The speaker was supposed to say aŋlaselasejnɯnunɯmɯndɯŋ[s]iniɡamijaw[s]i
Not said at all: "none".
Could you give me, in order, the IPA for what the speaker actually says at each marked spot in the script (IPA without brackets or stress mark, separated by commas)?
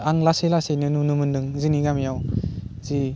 z, z